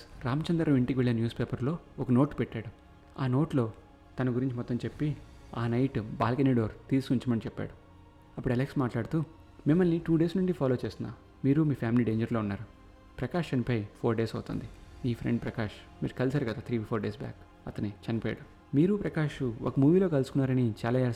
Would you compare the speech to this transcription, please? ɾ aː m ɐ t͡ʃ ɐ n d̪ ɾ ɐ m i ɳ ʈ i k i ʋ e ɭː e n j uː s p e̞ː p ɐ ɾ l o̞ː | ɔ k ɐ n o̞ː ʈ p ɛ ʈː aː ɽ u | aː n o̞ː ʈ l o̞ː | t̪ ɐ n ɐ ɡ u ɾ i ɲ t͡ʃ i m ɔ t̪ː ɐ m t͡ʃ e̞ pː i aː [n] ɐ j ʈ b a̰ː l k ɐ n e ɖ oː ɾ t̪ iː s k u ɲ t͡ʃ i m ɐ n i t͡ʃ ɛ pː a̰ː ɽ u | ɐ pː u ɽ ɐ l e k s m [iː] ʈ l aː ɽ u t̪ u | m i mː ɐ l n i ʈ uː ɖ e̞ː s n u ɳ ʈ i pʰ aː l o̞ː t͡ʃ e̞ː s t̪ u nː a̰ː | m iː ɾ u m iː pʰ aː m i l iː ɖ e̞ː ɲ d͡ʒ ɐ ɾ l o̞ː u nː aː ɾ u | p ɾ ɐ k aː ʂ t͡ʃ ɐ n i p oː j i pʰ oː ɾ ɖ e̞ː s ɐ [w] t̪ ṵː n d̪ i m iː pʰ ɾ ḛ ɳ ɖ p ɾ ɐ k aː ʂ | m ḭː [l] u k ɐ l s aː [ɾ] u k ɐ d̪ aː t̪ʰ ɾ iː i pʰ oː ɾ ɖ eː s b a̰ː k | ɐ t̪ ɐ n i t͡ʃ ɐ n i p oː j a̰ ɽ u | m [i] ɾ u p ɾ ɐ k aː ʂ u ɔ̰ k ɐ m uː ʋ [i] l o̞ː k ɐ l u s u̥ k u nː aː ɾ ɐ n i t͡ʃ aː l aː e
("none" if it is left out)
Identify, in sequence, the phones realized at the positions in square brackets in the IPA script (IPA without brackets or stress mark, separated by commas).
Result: n, aː, w, ɾ, ɾ, iː, iː